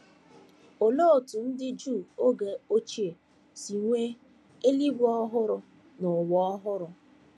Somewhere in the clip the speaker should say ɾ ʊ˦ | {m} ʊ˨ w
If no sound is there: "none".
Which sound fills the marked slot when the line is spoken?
n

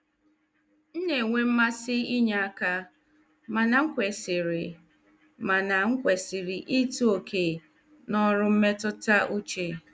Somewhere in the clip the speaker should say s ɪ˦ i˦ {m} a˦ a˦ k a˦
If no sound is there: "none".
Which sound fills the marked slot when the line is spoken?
ɲ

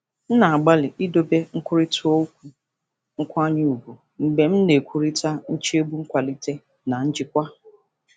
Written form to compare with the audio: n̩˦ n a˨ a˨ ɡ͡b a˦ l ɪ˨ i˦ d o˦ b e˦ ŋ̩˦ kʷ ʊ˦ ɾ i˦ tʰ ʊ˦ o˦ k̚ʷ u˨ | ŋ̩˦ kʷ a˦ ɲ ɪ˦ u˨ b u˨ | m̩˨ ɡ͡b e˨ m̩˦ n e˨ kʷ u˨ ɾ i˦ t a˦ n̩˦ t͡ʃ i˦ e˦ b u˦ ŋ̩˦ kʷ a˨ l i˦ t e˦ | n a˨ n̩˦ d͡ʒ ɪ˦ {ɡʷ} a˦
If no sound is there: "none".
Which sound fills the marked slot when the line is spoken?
kʷ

